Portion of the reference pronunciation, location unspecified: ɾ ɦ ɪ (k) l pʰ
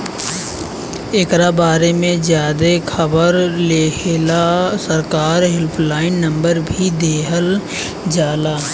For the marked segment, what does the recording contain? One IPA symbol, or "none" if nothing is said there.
none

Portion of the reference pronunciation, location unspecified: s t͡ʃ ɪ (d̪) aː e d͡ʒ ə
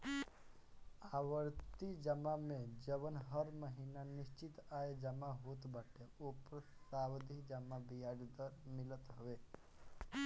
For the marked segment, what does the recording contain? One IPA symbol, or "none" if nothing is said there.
t̪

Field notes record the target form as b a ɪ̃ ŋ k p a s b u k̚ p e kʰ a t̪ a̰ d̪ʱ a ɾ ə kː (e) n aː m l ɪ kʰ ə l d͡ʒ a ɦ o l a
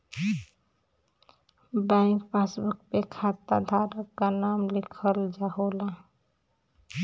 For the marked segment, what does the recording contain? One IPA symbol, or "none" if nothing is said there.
a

